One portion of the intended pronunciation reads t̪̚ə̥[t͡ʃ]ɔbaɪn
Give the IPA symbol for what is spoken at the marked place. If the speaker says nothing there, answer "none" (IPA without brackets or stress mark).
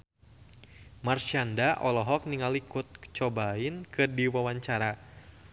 t͡ʃ